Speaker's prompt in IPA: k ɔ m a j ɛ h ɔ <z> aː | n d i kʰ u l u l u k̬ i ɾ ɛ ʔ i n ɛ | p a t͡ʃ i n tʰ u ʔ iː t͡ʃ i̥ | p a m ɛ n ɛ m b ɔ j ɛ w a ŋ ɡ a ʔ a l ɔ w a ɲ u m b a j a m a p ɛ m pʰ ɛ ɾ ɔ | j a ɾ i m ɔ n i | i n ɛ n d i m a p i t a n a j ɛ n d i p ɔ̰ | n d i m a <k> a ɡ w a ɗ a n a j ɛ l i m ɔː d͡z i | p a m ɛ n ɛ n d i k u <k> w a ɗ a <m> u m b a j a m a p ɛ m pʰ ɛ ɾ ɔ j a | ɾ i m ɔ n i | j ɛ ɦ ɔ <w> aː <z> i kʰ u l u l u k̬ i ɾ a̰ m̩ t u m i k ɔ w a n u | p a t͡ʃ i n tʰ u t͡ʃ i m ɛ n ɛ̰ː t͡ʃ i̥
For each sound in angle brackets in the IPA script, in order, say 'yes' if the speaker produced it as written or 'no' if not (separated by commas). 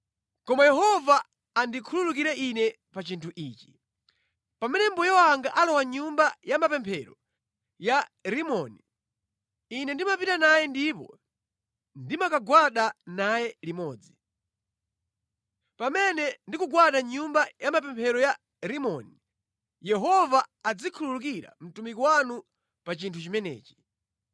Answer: no, yes, no, no, no, no